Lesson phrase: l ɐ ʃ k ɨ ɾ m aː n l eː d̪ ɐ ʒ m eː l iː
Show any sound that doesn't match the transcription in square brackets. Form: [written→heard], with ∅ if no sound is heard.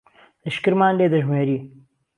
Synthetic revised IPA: l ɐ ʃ k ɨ ɾ m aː n l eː d̪ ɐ ʒ m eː [l→ɾ] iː